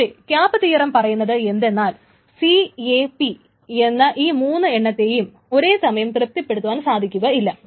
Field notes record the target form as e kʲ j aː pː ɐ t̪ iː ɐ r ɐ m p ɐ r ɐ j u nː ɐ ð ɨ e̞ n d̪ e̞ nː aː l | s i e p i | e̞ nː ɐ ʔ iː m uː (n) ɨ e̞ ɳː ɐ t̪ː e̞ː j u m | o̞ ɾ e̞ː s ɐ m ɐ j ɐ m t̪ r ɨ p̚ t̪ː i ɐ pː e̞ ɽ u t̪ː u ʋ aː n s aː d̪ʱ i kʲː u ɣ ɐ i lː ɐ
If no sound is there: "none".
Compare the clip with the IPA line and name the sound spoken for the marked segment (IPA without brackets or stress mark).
nː